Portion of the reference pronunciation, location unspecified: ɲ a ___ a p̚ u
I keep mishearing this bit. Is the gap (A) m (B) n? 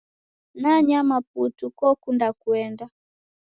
A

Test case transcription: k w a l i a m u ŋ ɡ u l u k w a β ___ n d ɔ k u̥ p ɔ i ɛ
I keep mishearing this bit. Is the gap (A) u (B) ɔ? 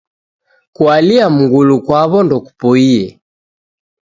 B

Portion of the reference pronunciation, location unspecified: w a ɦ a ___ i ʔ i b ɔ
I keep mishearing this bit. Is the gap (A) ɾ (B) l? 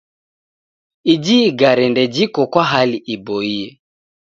B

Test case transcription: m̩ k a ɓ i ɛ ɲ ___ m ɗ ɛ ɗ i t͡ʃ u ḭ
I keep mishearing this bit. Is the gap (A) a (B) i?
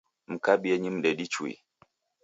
B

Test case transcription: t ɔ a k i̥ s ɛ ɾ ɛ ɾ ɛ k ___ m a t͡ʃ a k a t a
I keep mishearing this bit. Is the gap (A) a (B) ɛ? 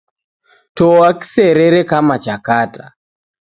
A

